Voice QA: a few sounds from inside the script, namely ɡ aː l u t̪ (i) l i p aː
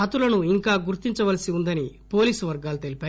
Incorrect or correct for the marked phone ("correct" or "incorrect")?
incorrect